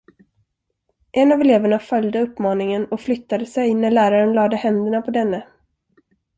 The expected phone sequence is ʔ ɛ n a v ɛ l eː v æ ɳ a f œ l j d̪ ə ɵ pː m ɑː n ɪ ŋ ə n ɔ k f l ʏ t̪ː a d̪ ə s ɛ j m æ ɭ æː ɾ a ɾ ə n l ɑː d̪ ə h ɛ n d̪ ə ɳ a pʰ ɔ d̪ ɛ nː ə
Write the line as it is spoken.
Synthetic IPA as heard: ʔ ɛ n a v ɛ l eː v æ ɳ a f œ l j d̪ ə ɵ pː m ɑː n ɪ ŋ ə n ɔ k f l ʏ t̪ː a d̪ ə s ɛ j n æ ɭ æː ɾ a ɾ ə n l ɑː d̪ ə h ɛ n d̪ ə ɳ a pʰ ɔ d̪ ɛ nː ə